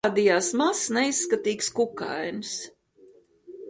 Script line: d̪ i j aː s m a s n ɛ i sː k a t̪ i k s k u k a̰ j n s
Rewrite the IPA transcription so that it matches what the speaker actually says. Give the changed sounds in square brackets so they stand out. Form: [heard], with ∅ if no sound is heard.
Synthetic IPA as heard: d̪ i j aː s m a s n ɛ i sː k a t̪ [iː] k s k u k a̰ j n s